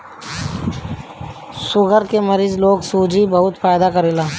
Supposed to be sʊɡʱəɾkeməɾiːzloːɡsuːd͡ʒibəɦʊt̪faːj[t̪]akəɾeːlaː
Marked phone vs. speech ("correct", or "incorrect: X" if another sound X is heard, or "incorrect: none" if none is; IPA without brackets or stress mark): incorrect: d̪